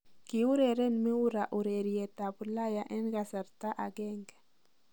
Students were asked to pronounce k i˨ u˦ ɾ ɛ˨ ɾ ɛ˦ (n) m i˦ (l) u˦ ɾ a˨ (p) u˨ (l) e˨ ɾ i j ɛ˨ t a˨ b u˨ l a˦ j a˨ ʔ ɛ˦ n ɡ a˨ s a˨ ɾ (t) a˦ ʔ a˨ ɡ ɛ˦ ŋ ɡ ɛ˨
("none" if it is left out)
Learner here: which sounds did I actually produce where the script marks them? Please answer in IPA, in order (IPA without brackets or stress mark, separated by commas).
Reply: n, none, ʔ, ɾ, t